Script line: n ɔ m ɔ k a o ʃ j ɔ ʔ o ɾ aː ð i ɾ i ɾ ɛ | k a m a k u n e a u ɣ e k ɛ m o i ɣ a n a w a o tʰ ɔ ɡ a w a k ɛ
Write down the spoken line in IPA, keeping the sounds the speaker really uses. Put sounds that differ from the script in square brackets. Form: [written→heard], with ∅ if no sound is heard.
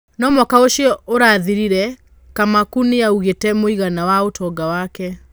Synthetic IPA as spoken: n ɔ m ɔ k a o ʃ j ɔ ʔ o ɾ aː ð i ɾ i ɾ ɛ | k a m a k u n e a u ɣ e [k→t] ɛ m o i ɣ a n a w a o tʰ ɔ ɡ a w a k ɛ